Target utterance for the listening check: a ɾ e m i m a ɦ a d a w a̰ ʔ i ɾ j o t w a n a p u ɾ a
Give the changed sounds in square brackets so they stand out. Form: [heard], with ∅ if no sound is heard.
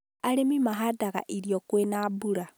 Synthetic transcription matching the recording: a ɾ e m i m a ɦ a d a [ɣ] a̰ ʔ i ɾ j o [k] w [e] n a [b] u ɾ a